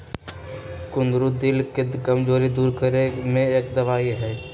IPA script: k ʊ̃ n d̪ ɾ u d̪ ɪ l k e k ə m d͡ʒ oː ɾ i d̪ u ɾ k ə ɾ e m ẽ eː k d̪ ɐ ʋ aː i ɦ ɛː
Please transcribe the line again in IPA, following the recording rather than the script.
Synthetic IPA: k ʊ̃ n d̪ ɾ u d̪ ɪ l k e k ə m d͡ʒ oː ɾ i d̪ uː ɾ k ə ɾ e m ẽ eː k d̪ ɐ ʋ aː i ɦ ɛː

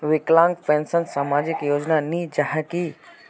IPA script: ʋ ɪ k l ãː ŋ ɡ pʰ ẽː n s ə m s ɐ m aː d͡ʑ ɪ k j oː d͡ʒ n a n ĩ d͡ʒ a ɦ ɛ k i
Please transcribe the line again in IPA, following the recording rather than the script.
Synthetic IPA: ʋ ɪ k l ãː ŋ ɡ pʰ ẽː n s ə n s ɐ m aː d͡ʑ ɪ k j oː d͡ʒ n a n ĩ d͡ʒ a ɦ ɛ k i

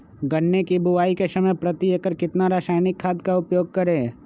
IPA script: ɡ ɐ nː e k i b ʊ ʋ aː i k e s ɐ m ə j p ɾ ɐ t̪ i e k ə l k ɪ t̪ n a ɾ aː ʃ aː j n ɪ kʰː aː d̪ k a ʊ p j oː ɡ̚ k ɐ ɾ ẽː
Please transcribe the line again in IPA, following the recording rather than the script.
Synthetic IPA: ɡ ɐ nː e k i b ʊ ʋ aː i k e s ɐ m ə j p ɾ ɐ t̪ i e k ə ɾ k ɪ t̪ n a ɾ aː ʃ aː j n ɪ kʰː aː d̪ k a ʊ p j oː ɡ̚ k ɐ ɾ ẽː

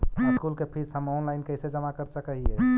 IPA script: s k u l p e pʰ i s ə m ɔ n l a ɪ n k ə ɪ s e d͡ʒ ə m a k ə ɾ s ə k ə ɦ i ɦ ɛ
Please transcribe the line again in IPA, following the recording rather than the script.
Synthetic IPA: s k u l k e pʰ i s ə m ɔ n l a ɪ n k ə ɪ s e d͡ʒ ə m a k ə ɾ s ə k ə ɦ i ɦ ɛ

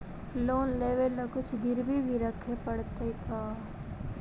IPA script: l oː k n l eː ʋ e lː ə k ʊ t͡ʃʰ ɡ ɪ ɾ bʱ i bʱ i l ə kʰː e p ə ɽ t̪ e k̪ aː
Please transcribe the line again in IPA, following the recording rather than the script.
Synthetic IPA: l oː n l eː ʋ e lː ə k ʊ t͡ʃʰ ɡ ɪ ɾ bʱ i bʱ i ɾ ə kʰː e p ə ɽ t̪ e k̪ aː

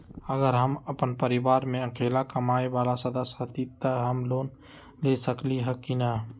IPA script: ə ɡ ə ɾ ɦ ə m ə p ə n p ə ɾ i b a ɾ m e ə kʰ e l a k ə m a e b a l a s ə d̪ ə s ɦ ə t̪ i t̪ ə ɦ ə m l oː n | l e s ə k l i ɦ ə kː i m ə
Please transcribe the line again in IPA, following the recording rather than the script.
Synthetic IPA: ə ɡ ə ɾ ɦ ə m ə p ə n p ə ɾ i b a ɾ m e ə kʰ e l a k ə m a e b a l a s ə d̪ ə s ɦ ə t̪ i t̪ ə ɦ ə m l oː n | l e s ə k l i ɦ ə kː i n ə

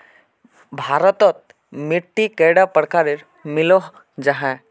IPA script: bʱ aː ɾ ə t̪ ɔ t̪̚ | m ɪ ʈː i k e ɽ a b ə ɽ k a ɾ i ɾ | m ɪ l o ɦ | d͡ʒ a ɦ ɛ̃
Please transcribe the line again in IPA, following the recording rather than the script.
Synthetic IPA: bʱ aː ɾ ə t̪ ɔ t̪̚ | m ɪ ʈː i k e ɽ a p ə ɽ k a ɾ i ɾ | m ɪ l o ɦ | d͡ʒ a ɦ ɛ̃

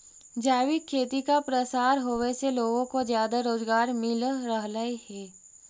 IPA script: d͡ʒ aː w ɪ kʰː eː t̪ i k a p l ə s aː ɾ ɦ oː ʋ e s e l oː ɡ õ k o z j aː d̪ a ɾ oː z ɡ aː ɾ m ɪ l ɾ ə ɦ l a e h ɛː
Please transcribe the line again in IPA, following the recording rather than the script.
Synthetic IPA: d͡ʒ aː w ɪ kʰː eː t̪ i k a p ɾ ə s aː ɾ ɦ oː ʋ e s e l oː ɡ õ k o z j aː d̪ a ɾ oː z ɡ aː ɾ m ɪ l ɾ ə ɦ l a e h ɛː

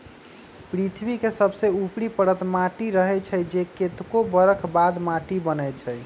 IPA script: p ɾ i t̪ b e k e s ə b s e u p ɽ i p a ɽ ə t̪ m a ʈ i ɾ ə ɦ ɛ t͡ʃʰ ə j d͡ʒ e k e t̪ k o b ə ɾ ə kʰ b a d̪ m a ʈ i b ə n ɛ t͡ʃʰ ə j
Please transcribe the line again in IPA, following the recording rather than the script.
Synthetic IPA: p ɾ i t̪ʰ b i k e s ə b s e u p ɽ i p ə ɽ ə t̪ m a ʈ i ɾ ə ɦ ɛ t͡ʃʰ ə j d͡ʒ e k e t̪ k o b ə ɾ ə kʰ b a d̪ m a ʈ i b ə n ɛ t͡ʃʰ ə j

